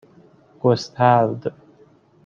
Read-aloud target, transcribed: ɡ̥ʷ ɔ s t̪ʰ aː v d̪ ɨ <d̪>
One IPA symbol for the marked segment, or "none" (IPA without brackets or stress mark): none